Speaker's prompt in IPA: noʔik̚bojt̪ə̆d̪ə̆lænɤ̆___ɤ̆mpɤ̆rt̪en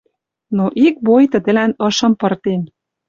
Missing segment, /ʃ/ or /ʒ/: ʃ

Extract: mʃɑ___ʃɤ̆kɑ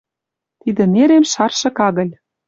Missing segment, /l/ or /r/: r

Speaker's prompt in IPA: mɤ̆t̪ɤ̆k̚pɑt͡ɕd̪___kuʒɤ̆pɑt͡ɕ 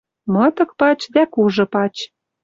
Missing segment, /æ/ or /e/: æ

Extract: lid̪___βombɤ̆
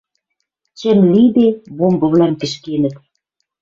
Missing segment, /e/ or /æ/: e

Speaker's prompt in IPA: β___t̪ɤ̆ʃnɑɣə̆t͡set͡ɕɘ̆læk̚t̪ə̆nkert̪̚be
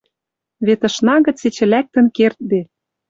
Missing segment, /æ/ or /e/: e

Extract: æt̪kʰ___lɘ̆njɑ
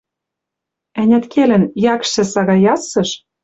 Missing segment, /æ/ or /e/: e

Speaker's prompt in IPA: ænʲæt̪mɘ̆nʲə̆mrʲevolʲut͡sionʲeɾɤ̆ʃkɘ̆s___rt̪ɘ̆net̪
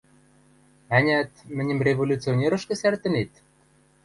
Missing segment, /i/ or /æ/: æ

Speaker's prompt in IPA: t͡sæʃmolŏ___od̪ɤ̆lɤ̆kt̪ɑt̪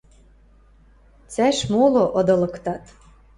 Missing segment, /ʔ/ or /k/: ʔ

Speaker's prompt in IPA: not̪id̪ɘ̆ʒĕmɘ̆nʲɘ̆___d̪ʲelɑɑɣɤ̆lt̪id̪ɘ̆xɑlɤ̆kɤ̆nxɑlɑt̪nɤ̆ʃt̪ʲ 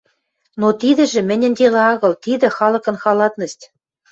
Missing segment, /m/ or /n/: n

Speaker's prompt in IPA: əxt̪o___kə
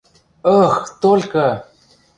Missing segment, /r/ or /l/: l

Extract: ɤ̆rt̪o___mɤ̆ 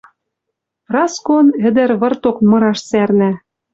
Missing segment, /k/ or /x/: k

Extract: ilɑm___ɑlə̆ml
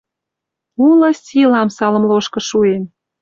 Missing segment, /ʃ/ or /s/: s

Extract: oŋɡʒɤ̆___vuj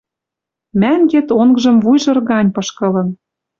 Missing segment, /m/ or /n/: m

